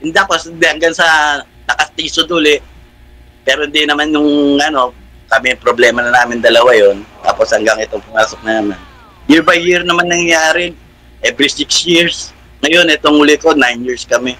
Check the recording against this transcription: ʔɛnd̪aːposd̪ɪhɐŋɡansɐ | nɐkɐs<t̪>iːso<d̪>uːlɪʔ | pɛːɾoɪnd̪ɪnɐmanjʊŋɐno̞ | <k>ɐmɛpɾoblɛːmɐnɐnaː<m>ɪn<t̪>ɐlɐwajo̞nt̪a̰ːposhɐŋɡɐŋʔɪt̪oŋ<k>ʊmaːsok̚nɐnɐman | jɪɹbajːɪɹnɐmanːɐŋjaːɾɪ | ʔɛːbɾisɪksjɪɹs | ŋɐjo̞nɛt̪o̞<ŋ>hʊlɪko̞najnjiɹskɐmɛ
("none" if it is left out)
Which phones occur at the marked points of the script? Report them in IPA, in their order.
t̪, d̪, k, m, d̪, p, ŋ

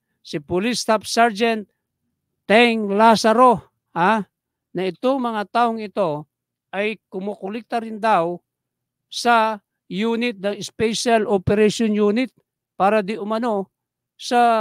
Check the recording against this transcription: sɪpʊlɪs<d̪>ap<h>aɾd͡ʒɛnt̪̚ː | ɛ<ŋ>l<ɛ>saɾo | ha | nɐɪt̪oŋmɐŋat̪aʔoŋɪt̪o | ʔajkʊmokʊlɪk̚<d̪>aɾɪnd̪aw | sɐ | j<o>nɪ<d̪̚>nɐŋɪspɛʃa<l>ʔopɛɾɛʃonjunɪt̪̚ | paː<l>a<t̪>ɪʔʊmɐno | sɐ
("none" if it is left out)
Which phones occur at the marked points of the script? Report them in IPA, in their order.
t̪, s, ŋ, a, t̪, u, t̪̚, l, ɾ, d̪

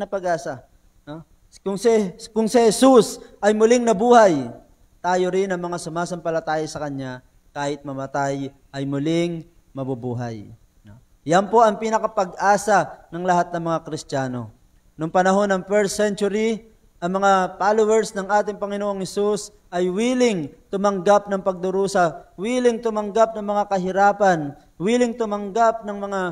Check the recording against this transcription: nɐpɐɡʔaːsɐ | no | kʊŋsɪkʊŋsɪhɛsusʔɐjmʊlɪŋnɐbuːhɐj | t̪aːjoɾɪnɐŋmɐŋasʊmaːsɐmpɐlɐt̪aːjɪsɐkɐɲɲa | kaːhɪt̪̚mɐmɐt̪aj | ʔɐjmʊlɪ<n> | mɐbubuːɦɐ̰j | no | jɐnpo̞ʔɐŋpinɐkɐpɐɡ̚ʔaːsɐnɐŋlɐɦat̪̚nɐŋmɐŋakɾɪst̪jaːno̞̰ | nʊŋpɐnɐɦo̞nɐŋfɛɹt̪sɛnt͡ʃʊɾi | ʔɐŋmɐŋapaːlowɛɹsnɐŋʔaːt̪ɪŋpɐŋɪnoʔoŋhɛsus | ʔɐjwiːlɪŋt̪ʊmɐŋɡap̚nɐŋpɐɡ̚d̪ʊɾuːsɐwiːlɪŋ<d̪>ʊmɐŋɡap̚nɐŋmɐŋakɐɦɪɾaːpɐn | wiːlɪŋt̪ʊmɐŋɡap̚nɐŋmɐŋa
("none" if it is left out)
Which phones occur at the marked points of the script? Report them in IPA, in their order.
ŋ, t̪

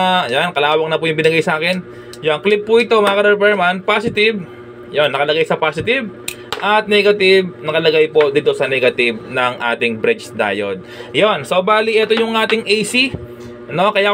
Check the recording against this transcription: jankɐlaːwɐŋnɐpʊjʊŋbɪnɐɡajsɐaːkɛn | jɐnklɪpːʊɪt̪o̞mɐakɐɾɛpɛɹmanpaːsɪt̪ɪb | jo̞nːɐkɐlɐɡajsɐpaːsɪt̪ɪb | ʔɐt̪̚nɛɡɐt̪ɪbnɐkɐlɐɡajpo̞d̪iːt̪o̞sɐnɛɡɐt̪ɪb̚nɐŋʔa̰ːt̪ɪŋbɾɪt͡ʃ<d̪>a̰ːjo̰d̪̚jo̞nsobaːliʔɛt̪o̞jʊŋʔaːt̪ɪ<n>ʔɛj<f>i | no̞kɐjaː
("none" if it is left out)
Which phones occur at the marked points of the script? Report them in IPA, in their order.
d̪, ŋ, s

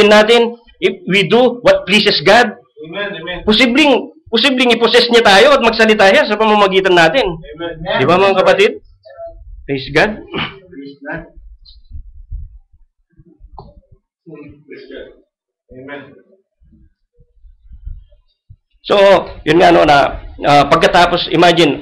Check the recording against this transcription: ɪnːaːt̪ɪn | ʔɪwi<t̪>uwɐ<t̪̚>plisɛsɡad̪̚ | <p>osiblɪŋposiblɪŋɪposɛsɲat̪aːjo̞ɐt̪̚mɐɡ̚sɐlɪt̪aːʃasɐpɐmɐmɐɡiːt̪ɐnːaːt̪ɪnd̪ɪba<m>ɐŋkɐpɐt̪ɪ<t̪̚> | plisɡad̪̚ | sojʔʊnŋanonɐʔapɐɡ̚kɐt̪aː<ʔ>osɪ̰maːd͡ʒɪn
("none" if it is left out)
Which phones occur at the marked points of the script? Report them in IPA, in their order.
d̪, t̪̚, p, m, d̪̚, p

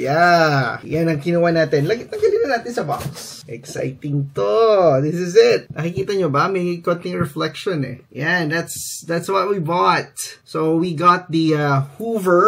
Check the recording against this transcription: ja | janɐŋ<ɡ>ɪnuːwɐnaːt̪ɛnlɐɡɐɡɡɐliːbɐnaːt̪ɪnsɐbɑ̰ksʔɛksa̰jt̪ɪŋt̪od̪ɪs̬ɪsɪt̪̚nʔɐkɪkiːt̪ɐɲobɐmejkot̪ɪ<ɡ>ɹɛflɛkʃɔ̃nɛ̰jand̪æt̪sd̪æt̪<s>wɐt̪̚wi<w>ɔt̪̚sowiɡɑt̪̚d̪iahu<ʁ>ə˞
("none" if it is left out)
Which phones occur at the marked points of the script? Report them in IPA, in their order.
k, ŋ, s, b, v

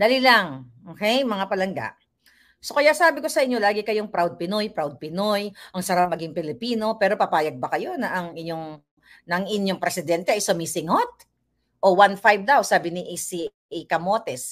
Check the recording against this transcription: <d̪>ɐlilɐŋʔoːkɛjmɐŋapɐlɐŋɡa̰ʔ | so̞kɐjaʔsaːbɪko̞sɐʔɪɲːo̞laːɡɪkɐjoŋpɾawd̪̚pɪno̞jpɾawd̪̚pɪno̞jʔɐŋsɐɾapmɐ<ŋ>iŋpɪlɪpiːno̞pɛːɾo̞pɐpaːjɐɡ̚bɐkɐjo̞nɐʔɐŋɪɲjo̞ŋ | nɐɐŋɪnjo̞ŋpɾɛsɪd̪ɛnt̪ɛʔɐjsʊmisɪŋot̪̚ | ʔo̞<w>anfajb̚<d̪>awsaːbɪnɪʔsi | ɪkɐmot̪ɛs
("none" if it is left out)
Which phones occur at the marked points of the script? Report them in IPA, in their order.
d̪, ɡ, w, d̪

